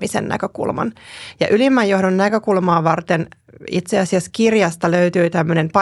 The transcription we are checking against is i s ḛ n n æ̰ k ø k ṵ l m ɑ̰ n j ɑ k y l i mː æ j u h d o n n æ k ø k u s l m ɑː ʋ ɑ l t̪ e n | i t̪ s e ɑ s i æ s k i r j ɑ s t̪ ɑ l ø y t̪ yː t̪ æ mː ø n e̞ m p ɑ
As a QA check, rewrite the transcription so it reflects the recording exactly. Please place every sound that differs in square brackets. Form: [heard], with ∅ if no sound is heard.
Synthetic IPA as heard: i s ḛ n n æ̰ k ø k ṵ l m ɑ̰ n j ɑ [ʔ] y l i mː æ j [o] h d o n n æ k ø k u [∅] l m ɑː ʋ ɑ [r] t̪ e n | i t̪ s e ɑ s i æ s k i r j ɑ s t̪ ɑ l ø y t̪ yː t̪ æ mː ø n e̞ m p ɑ